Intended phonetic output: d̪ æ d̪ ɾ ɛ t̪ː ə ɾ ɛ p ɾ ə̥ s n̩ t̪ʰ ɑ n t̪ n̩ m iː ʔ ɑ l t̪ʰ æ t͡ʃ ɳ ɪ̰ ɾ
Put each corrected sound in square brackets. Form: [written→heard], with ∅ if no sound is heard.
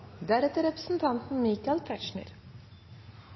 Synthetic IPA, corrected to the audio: d̪ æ [d̪→∅] ɾ ɛ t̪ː ə ɾ ɛ p ɾ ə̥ s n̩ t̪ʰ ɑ n t̪ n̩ m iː [ʔ→k] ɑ l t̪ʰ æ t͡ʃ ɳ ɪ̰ ɾ